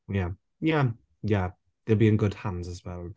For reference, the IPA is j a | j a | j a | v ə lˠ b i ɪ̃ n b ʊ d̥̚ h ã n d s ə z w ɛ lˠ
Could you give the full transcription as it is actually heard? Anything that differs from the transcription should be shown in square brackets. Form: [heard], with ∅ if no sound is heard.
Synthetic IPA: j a | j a | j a | [ð] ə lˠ b i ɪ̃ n [ɡ] ʊ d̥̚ h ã n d [z] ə z w ɛ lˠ